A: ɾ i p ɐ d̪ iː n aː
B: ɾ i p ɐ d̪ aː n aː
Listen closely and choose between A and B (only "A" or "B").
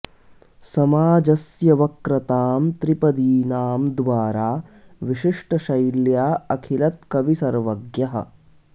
A